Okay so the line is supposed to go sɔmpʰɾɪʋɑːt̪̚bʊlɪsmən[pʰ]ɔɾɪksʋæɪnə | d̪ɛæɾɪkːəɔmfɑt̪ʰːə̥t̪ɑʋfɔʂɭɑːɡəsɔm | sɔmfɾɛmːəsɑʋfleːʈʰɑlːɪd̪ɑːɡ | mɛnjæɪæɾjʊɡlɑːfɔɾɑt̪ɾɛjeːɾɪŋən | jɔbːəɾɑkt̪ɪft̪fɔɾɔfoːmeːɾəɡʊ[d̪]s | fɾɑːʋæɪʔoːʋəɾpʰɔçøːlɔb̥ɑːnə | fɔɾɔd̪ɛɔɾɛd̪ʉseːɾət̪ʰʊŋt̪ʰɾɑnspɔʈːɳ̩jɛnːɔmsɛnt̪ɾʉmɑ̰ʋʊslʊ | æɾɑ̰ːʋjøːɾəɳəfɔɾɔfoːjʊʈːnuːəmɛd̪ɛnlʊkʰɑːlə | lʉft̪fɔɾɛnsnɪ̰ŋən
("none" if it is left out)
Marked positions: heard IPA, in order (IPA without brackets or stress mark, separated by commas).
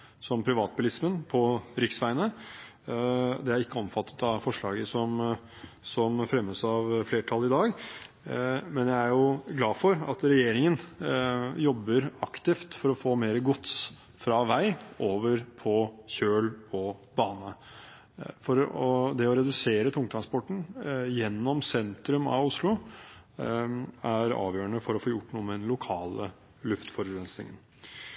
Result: pʰ, t̪